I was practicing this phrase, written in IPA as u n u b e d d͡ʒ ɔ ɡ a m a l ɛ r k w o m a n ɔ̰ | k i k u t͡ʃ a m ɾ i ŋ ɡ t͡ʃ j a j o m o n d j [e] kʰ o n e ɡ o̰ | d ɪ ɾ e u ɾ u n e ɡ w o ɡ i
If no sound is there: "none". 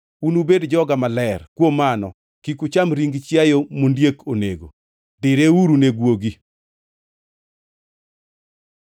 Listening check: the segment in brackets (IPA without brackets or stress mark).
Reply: e